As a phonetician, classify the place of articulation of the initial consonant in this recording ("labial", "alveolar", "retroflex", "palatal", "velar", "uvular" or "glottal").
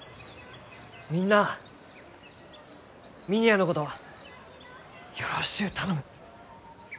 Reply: labial